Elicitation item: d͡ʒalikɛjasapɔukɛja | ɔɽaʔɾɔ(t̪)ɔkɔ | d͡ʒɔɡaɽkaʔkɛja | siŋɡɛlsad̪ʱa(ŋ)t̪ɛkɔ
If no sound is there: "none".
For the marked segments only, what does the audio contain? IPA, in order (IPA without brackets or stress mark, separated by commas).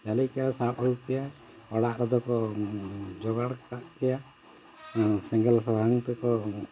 d̪, ŋ